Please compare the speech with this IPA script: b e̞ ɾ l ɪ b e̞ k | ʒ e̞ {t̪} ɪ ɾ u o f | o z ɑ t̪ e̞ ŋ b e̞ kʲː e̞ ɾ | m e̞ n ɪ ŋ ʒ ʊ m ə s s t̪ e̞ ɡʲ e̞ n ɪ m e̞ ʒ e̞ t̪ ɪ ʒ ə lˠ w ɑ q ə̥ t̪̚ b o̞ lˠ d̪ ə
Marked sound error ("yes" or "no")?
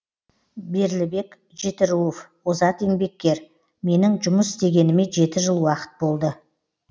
no